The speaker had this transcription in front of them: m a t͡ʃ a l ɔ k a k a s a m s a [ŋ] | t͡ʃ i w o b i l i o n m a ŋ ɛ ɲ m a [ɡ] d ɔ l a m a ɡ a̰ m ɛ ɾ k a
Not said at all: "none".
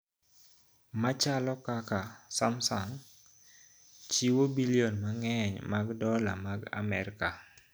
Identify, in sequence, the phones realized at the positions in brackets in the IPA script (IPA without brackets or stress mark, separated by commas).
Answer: ŋ, ɡ